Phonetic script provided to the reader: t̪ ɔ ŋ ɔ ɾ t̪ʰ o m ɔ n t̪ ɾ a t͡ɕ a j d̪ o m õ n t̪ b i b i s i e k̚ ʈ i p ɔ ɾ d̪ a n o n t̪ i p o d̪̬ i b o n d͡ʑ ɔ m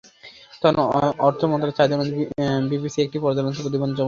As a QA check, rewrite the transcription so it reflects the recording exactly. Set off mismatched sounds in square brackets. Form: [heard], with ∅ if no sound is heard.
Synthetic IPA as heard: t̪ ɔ [n] ɔ ɾ t̪ʰ o m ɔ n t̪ ɾ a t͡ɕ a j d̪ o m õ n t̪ b i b i s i e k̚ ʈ i p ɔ ɾ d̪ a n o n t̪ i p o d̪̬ i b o n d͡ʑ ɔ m